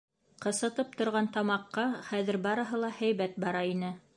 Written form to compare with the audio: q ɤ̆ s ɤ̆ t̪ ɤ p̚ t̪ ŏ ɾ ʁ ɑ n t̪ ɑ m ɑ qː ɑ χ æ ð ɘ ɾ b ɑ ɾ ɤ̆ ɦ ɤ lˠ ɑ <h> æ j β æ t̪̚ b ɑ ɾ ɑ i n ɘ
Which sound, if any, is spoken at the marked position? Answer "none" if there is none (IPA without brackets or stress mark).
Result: h